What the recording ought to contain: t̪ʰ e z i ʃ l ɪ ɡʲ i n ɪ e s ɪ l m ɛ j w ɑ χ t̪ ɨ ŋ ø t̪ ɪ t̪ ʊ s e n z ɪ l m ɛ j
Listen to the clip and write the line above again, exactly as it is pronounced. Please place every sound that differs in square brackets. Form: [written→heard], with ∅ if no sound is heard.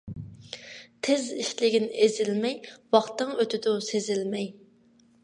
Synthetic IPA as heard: t̪ʰ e z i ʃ l ɪ ɡʲ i n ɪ e [s→z] ɪ l m ɛ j w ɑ χ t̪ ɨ ŋ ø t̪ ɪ [t̪→d̪] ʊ s e [n→∅] z ɪ l m ɛ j